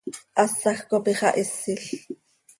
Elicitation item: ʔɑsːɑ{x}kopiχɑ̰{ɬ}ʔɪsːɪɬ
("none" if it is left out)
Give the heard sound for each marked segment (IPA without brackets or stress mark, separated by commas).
x, none